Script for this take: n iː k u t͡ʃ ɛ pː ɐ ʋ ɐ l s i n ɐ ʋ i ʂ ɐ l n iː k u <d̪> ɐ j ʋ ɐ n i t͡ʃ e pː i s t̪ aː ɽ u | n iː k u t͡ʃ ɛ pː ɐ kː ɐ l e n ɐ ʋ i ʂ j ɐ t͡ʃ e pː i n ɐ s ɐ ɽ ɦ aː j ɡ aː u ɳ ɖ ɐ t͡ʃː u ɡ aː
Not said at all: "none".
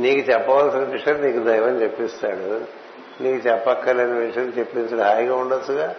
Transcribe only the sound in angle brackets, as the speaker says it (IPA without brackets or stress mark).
d̪